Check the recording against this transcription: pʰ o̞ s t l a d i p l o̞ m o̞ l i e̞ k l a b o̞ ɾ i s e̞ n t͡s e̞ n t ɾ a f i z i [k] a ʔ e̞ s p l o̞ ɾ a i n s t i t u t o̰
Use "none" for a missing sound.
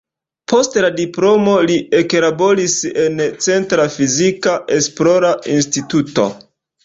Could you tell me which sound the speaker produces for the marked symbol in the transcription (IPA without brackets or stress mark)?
k